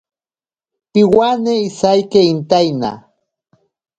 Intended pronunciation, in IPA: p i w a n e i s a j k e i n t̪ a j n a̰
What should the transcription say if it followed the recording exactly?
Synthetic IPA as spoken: p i w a n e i s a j k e i n t̪ a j n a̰